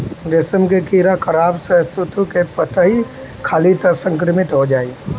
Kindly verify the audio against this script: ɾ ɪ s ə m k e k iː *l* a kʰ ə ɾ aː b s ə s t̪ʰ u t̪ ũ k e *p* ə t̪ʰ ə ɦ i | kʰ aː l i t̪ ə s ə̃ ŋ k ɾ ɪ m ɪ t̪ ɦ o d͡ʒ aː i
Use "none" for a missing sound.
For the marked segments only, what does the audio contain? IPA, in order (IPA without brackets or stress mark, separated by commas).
ɾ, p